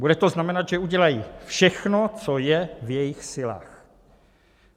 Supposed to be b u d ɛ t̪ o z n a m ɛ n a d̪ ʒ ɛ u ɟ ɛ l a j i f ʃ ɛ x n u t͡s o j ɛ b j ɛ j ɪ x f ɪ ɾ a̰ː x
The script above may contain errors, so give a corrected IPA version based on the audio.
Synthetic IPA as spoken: b u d ɛ t̪ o z n a m ɛ n a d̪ ʒ ɛ u ɟ ɛ l a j i f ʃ ɛ x n o t͡s o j ɛ v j ɛ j ɪ x s ɪ l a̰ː x